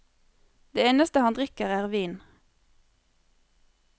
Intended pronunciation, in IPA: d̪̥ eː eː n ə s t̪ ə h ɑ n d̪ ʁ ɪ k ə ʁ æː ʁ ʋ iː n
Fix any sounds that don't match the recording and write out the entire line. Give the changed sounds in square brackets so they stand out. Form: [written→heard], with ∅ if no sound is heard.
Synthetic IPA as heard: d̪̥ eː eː n ə s t̪ ə h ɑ n d̪ ʁ ɪ k ə ʁ æː ʁ ʋ iː n

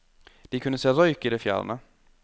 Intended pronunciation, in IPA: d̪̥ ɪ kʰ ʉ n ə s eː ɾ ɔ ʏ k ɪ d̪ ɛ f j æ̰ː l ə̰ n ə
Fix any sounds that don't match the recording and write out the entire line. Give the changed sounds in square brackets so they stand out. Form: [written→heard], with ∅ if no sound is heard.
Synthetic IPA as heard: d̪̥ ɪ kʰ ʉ n ə s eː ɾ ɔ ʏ k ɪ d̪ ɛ f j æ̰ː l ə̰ n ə

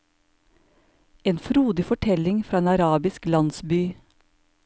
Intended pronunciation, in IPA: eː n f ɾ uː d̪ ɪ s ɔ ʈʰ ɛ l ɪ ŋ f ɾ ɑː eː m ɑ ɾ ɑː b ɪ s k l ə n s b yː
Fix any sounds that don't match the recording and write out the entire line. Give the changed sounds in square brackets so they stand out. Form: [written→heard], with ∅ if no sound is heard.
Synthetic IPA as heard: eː n f ɾ uː d̪ ɪ [s→f] ɔ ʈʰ ɛ l ɪ ŋ f ɾ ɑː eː [m→n] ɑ ɾ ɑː b ɪ s k l [ə→ɑ] n s b yː

